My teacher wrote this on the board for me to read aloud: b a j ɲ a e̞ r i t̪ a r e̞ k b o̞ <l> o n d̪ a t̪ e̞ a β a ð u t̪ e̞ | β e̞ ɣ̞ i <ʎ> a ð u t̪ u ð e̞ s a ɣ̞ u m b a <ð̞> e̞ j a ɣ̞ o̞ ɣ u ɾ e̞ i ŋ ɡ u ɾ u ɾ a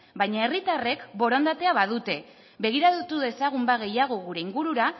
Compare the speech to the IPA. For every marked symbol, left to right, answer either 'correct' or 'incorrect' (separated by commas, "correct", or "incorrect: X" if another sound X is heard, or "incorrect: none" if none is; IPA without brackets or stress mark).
incorrect: ɾ, incorrect: ɾ, incorrect: ɣ̞